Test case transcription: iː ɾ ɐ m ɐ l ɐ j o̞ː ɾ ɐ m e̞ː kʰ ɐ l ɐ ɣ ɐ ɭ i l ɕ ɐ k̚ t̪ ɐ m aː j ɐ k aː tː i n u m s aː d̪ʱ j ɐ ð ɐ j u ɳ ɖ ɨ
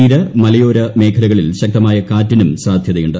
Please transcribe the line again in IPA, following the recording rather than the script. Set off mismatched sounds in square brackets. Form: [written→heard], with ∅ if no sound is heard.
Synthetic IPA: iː ɾ ɐ m ɐ l ɐ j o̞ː ɾ ɐ m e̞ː kʰ ɐ l ɐ ɣ ɐ ɭ i l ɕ ɐ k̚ t̪ ɐ m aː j ɐ k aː tː i n u m s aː d̪ʱ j ɐ ð ɐ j u ɳ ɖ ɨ

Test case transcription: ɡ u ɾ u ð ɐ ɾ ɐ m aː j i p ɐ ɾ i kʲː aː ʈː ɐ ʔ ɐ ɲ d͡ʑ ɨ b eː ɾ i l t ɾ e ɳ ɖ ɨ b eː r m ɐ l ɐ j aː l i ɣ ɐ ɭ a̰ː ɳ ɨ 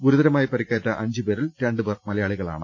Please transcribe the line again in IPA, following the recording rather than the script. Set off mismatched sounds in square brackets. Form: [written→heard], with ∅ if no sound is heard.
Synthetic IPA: ɡ u ɾ u ð ɐ ɾ ɐ m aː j i p ɐ ɾ i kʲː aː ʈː ɐ ʔ ɐ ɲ d͡ʑ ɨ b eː ɾ i l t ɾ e ɳ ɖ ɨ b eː r m ɐ l ɐ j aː [l→ɭ] i ɣ ɐ ɭ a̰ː ɳ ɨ

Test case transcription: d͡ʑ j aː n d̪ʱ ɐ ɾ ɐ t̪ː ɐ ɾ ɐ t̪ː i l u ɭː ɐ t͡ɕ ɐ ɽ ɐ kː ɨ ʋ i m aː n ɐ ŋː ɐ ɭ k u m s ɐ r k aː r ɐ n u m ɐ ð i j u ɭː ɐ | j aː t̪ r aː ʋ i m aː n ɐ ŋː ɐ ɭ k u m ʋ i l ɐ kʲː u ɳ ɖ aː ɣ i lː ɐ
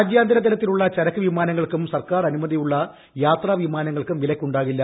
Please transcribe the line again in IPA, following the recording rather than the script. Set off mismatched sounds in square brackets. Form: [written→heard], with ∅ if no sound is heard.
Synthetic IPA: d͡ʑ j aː n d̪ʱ ɐ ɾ ɐ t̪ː ɐ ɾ ɐ t̪ː i l u ɭː ɐ t͡ɕ ɐ [ɽ→ɾ] ɐ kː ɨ ʋ i m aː n ɐ ŋː ɐ ɭ k u m s ɐ r k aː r ɐ n u m ɐ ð i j u ɭː ɐ | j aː t̪ r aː ʋ i m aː n ɐ ŋː ɐ ɭ k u m ʋ i l ɐ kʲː u ɳ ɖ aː ɣ i lː ɐ

